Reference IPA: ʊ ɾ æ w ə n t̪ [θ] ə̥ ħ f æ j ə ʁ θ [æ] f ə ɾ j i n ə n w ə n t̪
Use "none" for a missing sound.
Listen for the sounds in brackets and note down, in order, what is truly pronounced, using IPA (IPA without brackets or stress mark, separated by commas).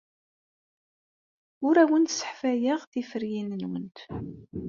s, i